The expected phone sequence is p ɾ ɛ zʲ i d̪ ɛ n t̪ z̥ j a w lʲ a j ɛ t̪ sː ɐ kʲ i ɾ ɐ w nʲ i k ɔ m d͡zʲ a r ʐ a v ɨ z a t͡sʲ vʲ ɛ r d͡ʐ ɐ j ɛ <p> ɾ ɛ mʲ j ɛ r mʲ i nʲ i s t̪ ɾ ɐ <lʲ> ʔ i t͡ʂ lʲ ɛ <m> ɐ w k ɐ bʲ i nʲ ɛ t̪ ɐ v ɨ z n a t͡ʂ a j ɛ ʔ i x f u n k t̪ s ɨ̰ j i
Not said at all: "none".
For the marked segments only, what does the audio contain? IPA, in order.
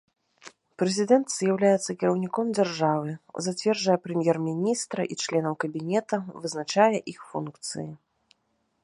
p, none, n

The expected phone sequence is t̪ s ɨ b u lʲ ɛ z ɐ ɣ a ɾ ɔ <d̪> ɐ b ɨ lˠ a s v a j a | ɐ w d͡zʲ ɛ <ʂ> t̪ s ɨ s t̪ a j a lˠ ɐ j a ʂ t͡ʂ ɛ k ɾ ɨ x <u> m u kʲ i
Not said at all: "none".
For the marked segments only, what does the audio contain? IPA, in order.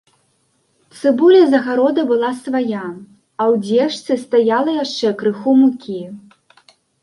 d̪, ʂ, u

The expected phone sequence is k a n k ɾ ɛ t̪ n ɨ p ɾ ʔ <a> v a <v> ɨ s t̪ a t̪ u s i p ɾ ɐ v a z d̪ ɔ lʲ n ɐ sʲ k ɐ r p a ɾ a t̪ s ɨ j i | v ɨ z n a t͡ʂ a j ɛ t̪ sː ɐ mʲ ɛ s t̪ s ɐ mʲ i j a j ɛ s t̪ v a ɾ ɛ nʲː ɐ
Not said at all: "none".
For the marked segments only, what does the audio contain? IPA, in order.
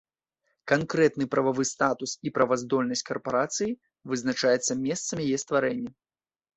ɐ, v

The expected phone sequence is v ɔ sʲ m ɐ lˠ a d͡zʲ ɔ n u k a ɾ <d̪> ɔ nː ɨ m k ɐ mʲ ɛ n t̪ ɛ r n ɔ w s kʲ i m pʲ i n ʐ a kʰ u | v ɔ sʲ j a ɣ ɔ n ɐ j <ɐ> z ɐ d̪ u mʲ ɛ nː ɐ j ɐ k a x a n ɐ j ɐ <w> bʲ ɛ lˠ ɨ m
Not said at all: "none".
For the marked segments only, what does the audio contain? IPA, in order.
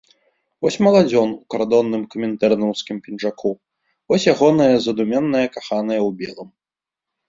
d̪, ɐ, w

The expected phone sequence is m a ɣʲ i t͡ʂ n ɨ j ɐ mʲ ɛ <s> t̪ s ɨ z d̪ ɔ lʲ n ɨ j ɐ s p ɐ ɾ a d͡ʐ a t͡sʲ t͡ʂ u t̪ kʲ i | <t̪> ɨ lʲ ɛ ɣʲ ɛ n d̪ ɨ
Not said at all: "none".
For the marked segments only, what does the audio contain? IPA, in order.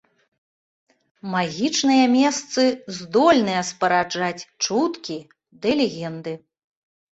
s, d̪

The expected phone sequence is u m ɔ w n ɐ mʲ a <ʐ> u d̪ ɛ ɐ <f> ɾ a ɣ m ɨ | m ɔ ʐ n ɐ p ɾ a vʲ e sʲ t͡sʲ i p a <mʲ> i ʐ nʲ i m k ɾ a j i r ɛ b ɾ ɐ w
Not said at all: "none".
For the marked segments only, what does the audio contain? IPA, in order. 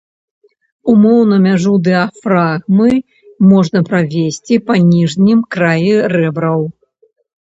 ʐ, f, nʲ

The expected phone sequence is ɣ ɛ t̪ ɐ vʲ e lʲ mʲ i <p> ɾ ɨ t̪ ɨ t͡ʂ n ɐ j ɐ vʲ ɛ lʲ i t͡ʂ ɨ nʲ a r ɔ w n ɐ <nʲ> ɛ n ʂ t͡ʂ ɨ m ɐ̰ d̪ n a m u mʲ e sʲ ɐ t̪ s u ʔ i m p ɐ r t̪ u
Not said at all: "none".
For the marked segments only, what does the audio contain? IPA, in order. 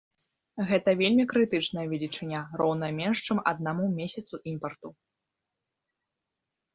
k, mʲ

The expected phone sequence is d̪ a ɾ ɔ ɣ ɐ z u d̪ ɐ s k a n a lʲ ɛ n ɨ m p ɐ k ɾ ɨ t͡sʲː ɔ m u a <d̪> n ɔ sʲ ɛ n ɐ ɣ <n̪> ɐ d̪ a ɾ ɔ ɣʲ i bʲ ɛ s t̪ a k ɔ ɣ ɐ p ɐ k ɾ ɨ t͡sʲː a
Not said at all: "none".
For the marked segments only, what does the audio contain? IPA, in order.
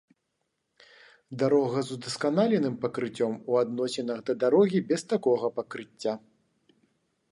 d̪, d̪

